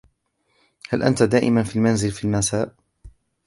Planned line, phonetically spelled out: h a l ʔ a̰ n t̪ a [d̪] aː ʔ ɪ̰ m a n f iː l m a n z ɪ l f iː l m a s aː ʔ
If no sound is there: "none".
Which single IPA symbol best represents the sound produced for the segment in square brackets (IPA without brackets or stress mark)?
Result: d̪